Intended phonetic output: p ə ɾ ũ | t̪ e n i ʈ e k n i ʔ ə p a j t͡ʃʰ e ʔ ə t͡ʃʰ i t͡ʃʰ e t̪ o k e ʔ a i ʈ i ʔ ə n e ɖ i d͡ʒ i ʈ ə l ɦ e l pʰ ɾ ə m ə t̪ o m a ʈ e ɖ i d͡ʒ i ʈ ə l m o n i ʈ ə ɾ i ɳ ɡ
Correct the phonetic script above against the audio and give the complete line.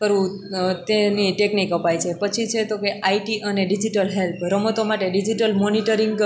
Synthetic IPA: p ə ɾ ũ | t̪ e n i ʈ e k n i k ə p a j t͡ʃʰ e p ə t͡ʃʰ i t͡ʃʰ e t̪ o k e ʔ a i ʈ i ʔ ə n e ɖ i d͡ʒ i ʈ ə l ɦ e l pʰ ɾ ə m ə t̪ o m a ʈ e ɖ i d͡ʒ i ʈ ə l m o n i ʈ ə ɾ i ŋ ɡ